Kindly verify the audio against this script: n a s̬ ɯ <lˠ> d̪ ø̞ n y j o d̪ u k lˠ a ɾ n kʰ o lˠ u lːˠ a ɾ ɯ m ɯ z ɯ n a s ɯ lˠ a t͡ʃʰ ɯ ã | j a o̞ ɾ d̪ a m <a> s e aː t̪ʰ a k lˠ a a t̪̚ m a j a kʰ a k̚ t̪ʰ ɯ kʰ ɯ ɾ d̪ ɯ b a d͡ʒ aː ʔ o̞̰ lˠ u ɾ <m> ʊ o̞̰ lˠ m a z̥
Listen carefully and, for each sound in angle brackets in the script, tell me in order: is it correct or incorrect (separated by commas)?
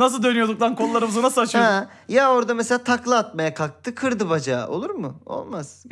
correct, incorrect, correct